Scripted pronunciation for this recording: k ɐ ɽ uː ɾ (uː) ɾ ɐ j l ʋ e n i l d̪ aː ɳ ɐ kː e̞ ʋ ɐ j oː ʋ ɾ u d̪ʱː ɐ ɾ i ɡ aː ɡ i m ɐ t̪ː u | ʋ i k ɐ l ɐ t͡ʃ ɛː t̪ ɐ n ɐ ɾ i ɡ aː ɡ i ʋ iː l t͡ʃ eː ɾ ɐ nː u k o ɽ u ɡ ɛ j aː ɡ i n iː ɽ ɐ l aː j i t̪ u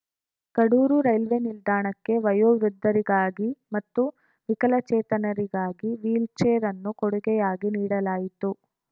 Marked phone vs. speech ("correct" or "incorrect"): incorrect